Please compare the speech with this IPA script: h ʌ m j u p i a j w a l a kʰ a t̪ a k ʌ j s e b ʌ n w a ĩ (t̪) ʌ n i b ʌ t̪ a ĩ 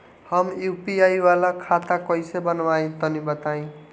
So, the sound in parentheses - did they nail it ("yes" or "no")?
yes